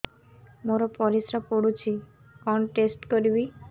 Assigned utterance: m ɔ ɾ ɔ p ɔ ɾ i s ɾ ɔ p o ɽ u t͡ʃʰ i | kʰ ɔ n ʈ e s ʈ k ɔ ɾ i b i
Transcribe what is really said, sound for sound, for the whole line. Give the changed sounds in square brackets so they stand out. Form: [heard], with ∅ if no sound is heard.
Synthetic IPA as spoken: m [o] ɾ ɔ p ɔ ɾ i s ɾ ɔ p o ɽ u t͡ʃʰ i | [k] ɔ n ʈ e s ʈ k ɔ ɾ i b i

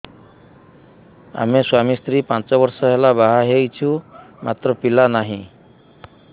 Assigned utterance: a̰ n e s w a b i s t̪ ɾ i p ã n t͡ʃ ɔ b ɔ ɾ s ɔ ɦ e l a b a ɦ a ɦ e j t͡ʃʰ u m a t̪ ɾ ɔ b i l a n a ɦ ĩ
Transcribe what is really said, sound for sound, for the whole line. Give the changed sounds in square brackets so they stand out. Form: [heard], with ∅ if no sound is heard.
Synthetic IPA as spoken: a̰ [m] e s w a [m] i s t̪ ɾ i p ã n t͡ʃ ɔ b ɔ ɾ s ɔ ɦ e l a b a ɦ a ɦ e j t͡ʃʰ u m a t̪ ɾ ɔ [p] i l a n a ɦ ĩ

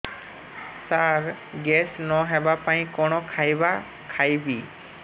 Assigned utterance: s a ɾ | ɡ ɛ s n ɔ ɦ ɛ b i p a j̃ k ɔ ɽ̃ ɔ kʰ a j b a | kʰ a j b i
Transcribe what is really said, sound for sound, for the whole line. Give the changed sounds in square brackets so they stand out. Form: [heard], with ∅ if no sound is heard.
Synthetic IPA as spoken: s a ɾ | ɡ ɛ s n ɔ ɦ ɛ b [a] p a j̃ k ɔ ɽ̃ ɔ kʰ a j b a | kʰ a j b i

